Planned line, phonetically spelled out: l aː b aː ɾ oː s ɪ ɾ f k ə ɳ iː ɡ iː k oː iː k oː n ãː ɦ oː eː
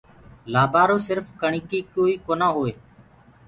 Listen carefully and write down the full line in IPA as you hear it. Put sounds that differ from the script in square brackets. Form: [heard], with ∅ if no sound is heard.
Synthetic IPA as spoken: l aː b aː ɾ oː s ɪ ɾ f k ə ɳ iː [k] iː k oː iː k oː n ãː ɦ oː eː

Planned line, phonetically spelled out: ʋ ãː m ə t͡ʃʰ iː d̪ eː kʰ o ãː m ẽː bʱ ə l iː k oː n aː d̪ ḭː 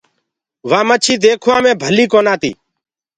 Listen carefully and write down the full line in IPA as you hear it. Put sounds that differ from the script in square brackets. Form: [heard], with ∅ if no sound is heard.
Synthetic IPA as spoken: ʋ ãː m ə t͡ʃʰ iː d̪ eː kʰ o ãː m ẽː bʱ ə l iː k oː n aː [t̪] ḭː

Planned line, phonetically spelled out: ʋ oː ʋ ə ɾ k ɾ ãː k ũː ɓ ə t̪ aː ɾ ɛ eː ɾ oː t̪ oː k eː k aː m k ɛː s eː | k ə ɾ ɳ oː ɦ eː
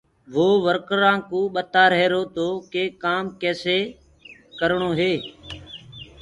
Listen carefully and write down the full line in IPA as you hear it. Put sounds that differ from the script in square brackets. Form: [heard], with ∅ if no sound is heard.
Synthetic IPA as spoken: ʋ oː ʋ ə ɾ k ɾ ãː k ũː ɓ ə t̪ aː ɾ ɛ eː ɾ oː t̪ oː k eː k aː m k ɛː s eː | k ə ɾ ɳ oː ɦ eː

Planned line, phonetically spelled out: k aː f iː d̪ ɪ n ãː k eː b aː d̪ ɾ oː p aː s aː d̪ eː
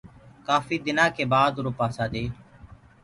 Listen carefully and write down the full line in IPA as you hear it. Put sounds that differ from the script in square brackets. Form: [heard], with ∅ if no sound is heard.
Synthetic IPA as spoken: k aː f iː d̪ ɪ n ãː k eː b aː d̪ ɾ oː p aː s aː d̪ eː

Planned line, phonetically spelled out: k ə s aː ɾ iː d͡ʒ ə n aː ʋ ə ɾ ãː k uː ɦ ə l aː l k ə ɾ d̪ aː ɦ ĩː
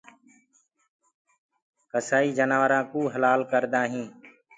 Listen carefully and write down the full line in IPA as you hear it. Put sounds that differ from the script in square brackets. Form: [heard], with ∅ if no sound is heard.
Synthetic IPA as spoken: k ə s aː [∅] iː d͡ʒ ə n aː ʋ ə ɾ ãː k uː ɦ ə l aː l k ə ɾ d̪ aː ɦ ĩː

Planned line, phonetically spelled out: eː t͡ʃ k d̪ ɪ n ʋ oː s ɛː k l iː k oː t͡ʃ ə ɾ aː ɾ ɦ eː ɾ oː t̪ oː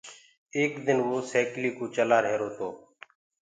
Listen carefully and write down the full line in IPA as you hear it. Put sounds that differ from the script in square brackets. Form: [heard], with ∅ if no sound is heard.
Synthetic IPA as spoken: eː [∅] k d̪ ɪ n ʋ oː s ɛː k l iː k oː t͡ʃ ə [l] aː ɾ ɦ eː ɾ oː t̪ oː

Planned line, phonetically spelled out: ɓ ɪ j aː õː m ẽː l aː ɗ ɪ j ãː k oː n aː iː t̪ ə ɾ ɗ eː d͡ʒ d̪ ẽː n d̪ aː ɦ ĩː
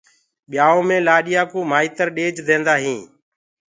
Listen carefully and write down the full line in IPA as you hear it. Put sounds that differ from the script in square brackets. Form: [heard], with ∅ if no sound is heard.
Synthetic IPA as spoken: ɓ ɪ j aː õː m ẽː l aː ɗ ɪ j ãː k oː [m] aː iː t̪ ə ɾ ɗ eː d͡ʒ d̪ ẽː n d̪ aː ɦ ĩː

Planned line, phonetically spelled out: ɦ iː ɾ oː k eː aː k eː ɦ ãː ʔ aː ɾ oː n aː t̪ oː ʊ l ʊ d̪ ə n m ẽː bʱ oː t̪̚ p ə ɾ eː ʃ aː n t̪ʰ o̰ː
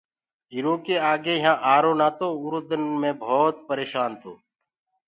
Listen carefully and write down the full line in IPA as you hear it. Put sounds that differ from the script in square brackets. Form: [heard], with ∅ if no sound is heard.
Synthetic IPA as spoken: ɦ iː ɾ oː k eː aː [ɡ] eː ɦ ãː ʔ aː ɾ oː n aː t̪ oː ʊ [ɾ] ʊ d̪ ə n m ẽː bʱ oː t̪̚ p ə ɾ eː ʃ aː n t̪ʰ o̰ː

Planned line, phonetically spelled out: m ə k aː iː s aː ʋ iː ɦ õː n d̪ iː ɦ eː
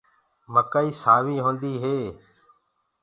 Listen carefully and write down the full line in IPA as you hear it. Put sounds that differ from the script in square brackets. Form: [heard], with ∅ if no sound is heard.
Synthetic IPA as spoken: m ə k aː iː s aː ʋ iː ɦ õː n d̪ iː ɦ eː

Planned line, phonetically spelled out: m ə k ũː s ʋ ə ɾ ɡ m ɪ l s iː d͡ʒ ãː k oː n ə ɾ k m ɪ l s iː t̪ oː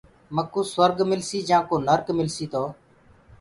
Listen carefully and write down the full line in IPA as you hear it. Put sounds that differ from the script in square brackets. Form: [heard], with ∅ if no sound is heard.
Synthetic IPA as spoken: m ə k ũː s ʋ ə ɾ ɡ m ɪ l s iː d͡ʒ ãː k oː n ə ɾ k m ɪ l s iː t̪ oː

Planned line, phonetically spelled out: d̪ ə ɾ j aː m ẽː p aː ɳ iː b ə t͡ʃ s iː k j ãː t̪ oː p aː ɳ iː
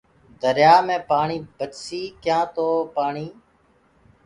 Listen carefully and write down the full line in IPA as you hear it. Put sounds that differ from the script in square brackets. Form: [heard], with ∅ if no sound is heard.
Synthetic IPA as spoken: d̪ ə ɾ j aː m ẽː p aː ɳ iː b ə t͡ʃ s iː k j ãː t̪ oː p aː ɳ iː

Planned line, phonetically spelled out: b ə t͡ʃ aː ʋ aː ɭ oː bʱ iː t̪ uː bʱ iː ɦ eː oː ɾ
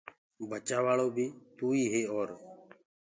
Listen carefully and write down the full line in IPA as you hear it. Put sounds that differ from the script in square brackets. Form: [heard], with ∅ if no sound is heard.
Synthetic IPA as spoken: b ə t͡ʃ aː ʋ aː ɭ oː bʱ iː t̪ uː [∅] iː ɦ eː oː ɾ

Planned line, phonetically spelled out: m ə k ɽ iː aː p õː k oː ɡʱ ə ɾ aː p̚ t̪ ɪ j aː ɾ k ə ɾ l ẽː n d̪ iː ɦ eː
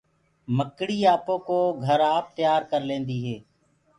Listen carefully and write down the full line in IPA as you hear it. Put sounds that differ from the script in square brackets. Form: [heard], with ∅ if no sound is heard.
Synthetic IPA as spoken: m ə k ɽ iː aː p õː k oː ɡʱ ə ɾ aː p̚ t̪ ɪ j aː ɾ k ə ɾ l ẽː n d̪ iː ɦ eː

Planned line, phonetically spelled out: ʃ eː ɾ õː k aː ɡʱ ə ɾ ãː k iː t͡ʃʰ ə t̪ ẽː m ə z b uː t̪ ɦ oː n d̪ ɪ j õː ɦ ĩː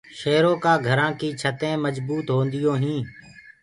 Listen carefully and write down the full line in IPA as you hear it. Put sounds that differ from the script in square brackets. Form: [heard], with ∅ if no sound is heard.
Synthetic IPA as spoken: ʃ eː ɾ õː k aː ɡʱ ə ɾ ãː k iː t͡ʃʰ ə t̪ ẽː m ə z b uː t̪ ɦ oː n d̪ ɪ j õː ɦ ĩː

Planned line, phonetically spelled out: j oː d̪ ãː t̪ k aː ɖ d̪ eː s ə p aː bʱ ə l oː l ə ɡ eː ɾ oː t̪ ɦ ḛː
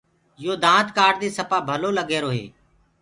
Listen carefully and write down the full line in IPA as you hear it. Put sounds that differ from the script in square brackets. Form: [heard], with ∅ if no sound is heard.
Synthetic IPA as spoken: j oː d̪ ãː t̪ k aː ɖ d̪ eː s ə p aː bʱ ə l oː l ə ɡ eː ɾ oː [∅] ɦ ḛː

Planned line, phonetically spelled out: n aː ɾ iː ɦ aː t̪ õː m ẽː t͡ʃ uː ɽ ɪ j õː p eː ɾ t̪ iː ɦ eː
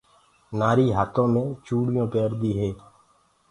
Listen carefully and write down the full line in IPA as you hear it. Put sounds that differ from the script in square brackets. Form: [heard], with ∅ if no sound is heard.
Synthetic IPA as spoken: n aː ɾ iː ɦ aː t̪ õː m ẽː t͡ʃ uː ɽ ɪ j õː p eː ɾ [d̪] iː ɦ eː

